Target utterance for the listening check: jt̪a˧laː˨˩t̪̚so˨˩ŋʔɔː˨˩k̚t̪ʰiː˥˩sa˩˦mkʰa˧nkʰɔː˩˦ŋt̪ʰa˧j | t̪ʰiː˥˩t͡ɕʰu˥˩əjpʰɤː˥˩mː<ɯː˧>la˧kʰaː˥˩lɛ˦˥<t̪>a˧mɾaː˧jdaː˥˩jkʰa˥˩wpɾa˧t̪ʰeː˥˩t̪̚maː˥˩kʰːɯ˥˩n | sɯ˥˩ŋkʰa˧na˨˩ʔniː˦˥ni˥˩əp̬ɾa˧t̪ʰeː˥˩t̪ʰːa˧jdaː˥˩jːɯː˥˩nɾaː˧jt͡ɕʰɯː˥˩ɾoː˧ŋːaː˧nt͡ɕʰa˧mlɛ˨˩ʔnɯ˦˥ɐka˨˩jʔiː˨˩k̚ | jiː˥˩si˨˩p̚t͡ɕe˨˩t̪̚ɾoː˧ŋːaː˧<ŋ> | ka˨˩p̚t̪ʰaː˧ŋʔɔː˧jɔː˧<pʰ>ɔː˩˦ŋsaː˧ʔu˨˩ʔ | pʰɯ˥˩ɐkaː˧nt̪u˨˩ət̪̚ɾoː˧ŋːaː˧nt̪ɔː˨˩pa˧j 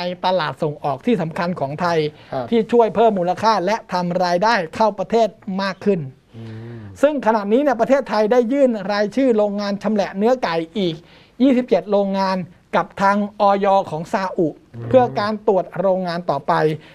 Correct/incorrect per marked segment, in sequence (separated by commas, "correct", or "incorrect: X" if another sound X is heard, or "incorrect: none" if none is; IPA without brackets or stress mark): incorrect: uː˧, incorrect: t̪ʰ, incorrect: n, incorrect: kʰ